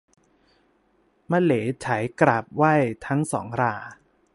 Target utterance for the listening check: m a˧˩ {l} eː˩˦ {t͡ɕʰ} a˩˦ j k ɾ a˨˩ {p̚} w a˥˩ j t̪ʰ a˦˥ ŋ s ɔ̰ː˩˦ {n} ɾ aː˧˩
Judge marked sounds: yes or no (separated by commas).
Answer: yes, yes, yes, no